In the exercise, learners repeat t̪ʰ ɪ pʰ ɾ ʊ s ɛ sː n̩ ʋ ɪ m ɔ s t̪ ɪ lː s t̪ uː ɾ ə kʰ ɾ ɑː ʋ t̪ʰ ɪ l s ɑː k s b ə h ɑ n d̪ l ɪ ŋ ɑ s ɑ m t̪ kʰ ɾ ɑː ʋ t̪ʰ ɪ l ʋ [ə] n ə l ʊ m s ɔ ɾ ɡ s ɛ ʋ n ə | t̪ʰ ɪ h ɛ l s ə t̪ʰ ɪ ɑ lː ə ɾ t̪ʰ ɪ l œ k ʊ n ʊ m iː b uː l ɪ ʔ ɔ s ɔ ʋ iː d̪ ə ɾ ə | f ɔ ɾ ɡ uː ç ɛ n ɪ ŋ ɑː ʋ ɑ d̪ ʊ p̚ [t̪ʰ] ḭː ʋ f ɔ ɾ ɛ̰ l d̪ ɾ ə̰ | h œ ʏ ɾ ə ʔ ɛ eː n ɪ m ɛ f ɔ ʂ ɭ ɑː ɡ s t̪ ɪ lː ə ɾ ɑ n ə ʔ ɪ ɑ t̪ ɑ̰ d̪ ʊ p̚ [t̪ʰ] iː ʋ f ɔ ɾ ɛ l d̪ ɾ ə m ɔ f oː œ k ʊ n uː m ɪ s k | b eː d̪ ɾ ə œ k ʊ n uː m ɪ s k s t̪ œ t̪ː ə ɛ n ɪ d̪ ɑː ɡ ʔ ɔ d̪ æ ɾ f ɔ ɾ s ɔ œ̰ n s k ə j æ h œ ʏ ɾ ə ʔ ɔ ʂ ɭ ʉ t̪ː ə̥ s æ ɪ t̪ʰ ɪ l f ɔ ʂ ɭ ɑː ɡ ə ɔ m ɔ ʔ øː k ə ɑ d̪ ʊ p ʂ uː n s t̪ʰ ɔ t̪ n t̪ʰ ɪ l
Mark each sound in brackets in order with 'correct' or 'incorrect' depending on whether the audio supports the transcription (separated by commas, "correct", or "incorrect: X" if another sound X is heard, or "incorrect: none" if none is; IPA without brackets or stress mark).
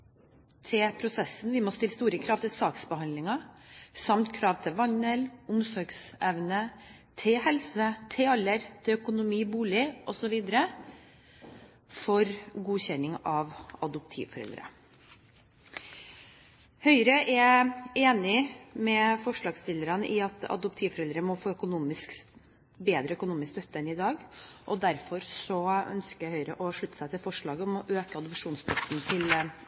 incorrect: ɑ, correct, correct